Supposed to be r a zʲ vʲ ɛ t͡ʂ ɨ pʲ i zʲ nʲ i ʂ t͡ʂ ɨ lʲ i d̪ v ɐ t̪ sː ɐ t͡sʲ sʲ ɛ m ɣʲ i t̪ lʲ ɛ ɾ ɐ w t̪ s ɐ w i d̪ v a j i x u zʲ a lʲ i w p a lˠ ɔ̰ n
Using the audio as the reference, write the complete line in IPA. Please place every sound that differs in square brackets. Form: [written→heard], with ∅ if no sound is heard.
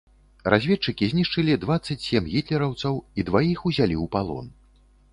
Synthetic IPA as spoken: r a zʲ vʲ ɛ t͡ʂ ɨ [pʲ→kʲ] i zʲ nʲ i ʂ t͡ʂ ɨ lʲ i d̪ v [ɐ→a] t̪ sː ɐ t͡sʲ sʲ ɛ m ɣʲ i t̪ lʲ ɛ ɾ ɐ w t̪ s ɐ w i d̪ v a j i x u zʲ a lʲ i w p a lˠ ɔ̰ n